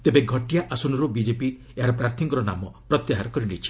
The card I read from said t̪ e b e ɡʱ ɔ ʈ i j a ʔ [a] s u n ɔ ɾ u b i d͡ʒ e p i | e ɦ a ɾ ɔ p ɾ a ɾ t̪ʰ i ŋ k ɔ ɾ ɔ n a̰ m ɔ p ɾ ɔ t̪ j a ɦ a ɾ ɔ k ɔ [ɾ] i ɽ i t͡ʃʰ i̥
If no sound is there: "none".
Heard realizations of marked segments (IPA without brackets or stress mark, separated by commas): a, ɾ